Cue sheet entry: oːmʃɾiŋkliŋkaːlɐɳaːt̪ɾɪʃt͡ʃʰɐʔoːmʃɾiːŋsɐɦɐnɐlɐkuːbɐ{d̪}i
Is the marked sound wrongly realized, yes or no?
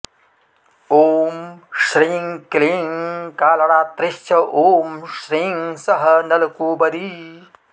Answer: no